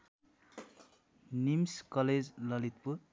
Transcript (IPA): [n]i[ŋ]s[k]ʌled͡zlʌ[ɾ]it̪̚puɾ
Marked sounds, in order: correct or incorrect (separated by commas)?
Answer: correct, incorrect, correct, incorrect